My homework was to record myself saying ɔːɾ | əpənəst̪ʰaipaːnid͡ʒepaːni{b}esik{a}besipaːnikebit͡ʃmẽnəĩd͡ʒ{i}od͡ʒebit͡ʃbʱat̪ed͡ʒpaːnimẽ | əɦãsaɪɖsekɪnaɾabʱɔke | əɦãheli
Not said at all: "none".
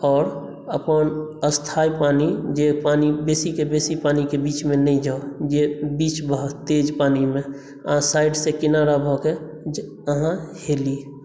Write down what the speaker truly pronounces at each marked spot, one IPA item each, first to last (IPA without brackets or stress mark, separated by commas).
b, e, a